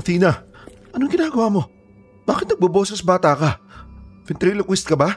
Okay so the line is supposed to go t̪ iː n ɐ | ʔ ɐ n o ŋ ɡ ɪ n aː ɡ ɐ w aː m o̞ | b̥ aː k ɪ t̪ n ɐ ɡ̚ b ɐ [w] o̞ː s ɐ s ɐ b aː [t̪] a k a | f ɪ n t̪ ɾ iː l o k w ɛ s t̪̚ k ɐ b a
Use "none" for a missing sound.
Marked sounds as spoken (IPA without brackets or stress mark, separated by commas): b, t̪